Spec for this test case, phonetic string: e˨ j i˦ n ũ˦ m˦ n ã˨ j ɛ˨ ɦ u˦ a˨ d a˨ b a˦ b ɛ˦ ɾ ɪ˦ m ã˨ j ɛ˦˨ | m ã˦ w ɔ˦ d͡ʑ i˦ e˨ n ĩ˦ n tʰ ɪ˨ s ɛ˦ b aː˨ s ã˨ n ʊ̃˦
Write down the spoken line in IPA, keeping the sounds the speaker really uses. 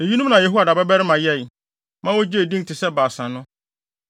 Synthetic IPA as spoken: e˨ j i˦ n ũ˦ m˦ n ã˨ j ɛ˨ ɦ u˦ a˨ d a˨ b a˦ b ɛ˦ ɾ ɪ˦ m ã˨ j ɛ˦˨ | m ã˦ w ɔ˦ d͡ʑ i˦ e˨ d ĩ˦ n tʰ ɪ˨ s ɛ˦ b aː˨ s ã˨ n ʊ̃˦